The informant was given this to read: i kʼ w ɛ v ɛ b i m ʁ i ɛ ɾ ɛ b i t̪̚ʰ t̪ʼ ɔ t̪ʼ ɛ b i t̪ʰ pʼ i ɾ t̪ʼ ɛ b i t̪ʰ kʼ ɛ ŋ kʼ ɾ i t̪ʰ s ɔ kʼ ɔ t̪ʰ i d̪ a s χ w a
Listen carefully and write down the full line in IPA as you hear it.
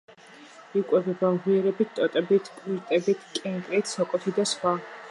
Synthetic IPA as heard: i kʼ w ɛ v ɛ b a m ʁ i ɛ ɾ ɛ b i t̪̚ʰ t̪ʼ ɔ t̪ʼ ɛ b i t̪ʰ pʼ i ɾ t̪ʼ ɛ b i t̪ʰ kʼ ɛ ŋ kʼ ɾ i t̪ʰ s ɔ kʼ ɔ t̪ʰ i d̪ a s χ w a

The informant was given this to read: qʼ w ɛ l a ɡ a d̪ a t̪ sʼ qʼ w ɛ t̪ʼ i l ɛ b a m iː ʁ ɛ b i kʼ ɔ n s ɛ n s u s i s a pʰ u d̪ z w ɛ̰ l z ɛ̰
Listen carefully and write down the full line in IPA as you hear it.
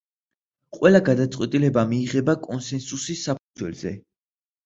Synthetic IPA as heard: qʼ w ɛ l a ɡ a d̪ a t̪ sʼ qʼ w ɛ t̪ʼ i l ɛ b a m iː ʁ ɛ b a kʼ ɔ n s ɛ n s u s i s a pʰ u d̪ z w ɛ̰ l z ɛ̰

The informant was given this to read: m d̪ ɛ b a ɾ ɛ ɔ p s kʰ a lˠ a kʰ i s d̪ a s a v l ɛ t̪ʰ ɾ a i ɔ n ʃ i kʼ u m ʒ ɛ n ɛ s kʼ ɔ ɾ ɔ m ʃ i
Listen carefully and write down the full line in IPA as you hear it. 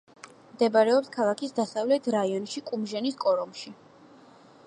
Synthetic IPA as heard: m d̪ ɛ b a ɾ ɛ ɔ p s kʰ a lˠ a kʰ i s d̪ a s a v l ɛ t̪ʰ ɾ a i ɔ n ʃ i kʼ u m ʒ ɛ n i s kʼ ɔ ɾ ɔ m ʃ i

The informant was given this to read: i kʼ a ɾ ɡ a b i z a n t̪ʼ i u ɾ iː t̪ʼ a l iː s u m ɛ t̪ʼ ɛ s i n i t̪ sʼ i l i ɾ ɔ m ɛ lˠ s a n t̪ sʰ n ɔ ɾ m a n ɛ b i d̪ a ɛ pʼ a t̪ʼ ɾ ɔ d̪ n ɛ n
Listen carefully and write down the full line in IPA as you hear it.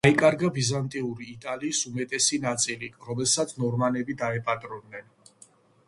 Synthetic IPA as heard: i kʼ a ɾ ɡ a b i z a n t̪ʼ i u ɾ iː t̪ʼ a l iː s u m ɛ t̪ʼ ɛ s i n a t̪ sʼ i l i ɾ ɔ m ɛ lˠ s a t̪ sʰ n ɔ ɾ m a n ɛ b i d̪ a ɛ pʼ a t̪ʼ ɾ ɔ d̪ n ɛ n

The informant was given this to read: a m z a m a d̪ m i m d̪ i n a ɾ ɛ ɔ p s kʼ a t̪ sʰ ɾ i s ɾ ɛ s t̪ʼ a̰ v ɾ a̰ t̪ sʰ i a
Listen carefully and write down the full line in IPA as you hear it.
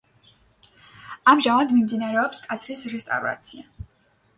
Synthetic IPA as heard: a m ʒ a m a d̪ m i m d̪ i n a ɾ ɛ ɔ p s kʼ a t̪ sʰ ɾ i s ɾ ɛ s t̪ʼ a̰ v ɾ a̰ t̪ sʰ i a

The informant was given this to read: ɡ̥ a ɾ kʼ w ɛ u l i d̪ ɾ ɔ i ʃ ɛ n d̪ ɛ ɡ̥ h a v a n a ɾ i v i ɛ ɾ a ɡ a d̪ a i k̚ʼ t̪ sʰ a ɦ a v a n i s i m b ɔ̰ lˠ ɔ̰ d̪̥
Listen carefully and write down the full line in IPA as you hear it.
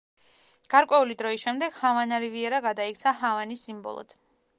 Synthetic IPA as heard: ɡ̥ a ɾ kʼ w ɛ u l i d̪ ɾ ɔ i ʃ ɛ m d̪ ɛ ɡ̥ h a v a n a ɾ i v i ɛ ɾ a ɡ a d̪ a i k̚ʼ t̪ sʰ a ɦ a v a n i s i m b ɔ̰ lˠ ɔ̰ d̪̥

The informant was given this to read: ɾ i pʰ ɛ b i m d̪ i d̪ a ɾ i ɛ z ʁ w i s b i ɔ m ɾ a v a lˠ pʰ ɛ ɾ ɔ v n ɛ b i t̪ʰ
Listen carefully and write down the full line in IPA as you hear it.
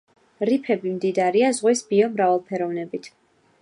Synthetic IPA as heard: ɾ i pʰ ɛ b i m d̪ i d̪ a ɾ i a z ʁ w i s b i ɔ m ɾ a v a lˠ pʰ ɛ ɾ ɔ v n ɛ b i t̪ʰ

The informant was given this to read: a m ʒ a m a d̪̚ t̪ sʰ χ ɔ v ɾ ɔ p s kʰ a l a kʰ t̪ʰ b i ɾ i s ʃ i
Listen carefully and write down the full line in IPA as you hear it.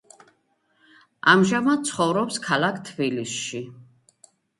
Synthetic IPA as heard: a m ʒ a m a d̪̚ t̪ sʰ χ ɔ v ɾ ɔ p s kʰ a l a kʰ t̪ʰ b i l i s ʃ i

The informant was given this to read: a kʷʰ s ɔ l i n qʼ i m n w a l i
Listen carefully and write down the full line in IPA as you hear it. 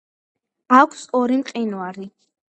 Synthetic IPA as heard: a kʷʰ s ɔ ɾ i m qʼ i n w a ɾ i

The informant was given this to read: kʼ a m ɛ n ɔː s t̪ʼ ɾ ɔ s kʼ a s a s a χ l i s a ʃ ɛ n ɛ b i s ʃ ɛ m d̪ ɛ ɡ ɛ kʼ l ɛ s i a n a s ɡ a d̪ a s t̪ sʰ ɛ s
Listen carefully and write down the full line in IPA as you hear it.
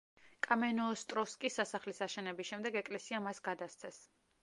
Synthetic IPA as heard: kʼ a m ɛ n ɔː s t̪ʼ ɾ ɔ s kʼ i s a s a χ l i s a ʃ ɛ n ɛ b i s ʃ ɛ m d̪ ɛ ɡ ɛ kʼ l ɛ s i a m a s ɡ a d̪ a s t̪ sʰ ɛ s

